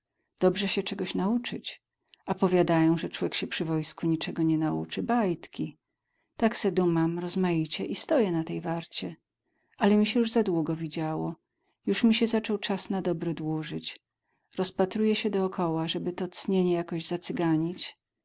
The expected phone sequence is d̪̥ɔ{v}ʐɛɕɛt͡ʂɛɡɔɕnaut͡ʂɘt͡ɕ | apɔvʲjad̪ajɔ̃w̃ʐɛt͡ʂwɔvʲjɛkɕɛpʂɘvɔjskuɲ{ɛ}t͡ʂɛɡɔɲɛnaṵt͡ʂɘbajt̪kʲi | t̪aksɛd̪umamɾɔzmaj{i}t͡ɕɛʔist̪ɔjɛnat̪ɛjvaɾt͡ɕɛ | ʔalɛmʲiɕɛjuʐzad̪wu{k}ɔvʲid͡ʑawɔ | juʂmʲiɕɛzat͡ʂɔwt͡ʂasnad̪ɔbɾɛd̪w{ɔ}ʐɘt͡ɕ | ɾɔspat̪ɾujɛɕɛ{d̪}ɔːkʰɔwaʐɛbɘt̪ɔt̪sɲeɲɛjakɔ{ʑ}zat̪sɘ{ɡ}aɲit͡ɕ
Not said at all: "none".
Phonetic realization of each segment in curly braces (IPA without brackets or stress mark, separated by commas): b, i, i, ɡ, u, d̪, ʑ, ɡ